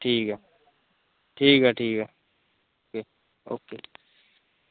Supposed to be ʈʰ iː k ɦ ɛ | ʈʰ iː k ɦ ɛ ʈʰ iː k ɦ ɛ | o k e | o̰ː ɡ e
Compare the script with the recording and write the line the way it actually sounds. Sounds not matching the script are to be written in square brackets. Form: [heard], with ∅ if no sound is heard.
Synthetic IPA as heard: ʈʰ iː k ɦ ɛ | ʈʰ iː k ɦ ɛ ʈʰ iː k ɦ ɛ | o k e | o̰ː [k] e

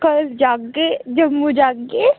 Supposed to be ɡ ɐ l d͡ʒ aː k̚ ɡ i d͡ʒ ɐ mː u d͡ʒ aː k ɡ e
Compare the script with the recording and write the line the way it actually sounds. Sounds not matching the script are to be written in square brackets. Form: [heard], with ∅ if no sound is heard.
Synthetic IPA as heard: [k] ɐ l d͡ʒ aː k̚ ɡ [e] d͡ʒ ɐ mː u d͡ʒ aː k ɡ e

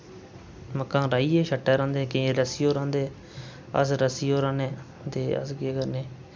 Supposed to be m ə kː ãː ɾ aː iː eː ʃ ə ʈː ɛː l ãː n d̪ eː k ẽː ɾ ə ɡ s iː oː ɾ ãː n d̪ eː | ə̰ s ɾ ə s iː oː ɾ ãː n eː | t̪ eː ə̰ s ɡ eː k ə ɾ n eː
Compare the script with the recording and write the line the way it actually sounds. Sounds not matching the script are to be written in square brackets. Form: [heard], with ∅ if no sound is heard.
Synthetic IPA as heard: m ə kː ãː ɾ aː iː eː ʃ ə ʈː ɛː [ɾ] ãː n d̪ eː k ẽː ɾ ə [∅] s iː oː ɾ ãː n d̪ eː | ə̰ s ɾ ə s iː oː ɾ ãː n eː | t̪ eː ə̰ s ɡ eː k ə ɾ n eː

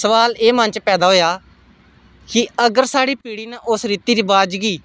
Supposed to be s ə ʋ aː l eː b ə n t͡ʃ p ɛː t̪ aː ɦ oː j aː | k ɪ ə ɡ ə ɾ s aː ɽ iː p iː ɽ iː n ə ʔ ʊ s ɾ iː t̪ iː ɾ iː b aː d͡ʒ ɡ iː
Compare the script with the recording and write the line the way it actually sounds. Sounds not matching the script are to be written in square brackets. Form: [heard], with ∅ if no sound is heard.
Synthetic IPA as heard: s ə ʋ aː l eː [m] ə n t͡ʃ p ɛː [d̪] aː ɦ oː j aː | k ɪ ə ɡ ə ɾ s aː ɽ iː p iː ɽ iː n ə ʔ ʊ s ɾ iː t̪ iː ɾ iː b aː d͡ʒ ɡ iː

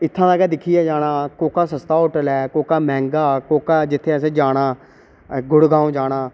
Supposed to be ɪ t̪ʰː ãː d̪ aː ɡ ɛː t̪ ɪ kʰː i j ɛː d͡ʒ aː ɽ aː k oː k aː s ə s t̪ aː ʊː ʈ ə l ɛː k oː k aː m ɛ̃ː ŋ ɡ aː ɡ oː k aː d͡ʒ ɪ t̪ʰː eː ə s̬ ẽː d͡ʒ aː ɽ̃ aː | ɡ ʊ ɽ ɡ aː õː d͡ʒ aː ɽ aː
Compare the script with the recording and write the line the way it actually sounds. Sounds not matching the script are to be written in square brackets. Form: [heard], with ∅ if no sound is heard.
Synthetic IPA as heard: ɪ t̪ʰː ãː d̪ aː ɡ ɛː [d̪] ɪ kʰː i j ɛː d͡ʒ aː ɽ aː k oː k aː s ə s t̪ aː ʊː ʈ ə l ɛː k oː k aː m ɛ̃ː ŋ ɡ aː [k] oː k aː d͡ʒ ɪ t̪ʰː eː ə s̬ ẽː d͡ʒ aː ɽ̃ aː | ɡ ʊ ɽ ɡ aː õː d͡ʒ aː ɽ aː

